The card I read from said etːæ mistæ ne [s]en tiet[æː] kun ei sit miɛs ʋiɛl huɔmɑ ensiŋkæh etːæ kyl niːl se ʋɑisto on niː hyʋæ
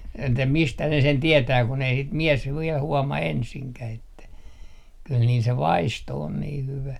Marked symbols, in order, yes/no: yes, yes

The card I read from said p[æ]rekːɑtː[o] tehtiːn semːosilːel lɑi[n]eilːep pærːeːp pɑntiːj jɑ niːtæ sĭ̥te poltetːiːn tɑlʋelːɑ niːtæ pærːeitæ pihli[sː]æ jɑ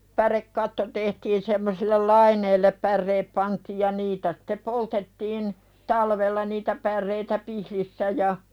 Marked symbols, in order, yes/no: yes, yes, yes, yes

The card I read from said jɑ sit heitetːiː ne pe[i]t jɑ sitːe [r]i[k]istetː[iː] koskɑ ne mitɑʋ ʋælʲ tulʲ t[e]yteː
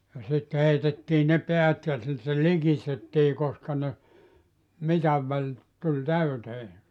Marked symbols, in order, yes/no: no, no, yes, yes, no

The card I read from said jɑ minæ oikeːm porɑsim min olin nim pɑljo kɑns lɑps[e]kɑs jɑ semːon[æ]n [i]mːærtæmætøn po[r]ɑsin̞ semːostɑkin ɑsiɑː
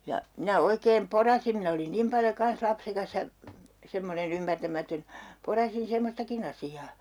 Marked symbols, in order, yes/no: yes, no, no, yes

